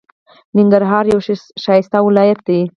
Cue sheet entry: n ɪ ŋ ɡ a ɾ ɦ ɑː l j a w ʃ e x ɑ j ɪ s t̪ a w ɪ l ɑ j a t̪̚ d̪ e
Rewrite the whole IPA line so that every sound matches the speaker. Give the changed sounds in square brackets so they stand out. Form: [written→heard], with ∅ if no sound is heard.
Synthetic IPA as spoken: n ɪ ŋ ɡ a ɾ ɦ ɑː [l→ɾ] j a w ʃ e [x→ʃ] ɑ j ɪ s t̪ a w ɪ l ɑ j a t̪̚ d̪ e